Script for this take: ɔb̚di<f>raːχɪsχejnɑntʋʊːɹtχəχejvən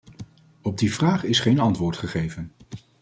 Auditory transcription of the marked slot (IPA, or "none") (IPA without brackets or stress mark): v